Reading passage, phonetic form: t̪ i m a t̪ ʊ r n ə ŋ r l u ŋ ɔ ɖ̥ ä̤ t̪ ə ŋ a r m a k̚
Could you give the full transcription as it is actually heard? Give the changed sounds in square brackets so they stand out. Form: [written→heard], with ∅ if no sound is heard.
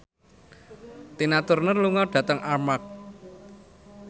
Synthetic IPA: t̪ i [m→n] a t̪ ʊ r n ə [ŋ→∅] r l u ŋ ɔ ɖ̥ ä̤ t̪ ə ŋ a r m a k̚